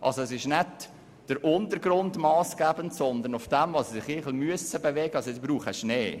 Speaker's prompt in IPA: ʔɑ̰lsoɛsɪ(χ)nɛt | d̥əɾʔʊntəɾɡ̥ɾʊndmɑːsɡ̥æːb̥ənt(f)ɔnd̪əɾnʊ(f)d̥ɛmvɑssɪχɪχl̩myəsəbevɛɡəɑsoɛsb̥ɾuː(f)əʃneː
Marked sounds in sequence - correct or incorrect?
incorrect: ʃ, incorrect: s, correct, incorrect: χ

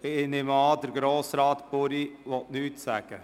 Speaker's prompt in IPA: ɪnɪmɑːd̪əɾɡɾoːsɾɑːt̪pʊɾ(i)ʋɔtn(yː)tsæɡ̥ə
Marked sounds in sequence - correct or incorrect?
correct, correct

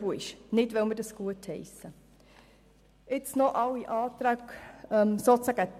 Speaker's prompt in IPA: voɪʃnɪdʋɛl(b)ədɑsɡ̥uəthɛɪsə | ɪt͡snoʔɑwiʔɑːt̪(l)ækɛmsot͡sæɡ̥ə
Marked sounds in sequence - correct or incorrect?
incorrect: m, incorrect: ɾ

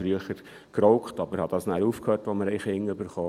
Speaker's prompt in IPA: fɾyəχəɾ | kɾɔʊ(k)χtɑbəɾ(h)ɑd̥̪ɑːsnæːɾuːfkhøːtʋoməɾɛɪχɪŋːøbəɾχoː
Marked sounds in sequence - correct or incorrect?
correct, correct

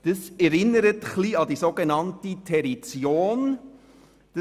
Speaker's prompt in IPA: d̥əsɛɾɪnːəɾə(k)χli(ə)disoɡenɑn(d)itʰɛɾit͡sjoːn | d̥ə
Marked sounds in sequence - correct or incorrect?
incorrect: t, incorrect: ɑ, incorrect: t

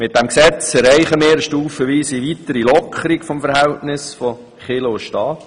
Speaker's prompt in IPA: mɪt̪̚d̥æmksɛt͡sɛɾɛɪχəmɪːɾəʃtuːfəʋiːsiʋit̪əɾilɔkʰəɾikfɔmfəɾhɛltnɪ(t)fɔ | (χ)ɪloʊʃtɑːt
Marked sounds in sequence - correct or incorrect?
incorrect: s, correct

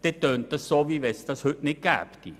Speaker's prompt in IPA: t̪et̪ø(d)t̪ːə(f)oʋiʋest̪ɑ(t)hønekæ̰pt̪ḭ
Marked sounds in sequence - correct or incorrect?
incorrect: n, incorrect: s, incorrect: s

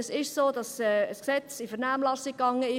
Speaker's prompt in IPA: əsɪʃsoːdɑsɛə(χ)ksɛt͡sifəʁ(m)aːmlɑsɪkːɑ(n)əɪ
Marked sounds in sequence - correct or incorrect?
incorrect: s, incorrect: n, incorrect: ŋ

